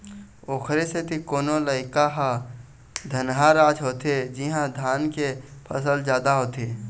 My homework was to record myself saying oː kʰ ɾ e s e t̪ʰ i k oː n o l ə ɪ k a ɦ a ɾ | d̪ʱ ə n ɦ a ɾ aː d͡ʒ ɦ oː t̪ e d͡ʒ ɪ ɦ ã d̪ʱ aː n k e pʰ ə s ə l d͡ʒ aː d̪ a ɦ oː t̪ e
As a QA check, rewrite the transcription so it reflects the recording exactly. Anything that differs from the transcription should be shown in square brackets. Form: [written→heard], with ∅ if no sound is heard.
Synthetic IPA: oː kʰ ɾ e s e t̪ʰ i k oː n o l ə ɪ k a ɦ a [ɾ→∅] | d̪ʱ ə n ɦ a ɾ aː d͡ʒ ɦ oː t̪ e d͡ʒ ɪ ɦ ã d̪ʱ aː n k e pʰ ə s ə l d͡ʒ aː d̪ a ɦ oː t̪ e